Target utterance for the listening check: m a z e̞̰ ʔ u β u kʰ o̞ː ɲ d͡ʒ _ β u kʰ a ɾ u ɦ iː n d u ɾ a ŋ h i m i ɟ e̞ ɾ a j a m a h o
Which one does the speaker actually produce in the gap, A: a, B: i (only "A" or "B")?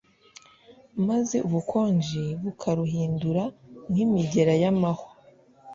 B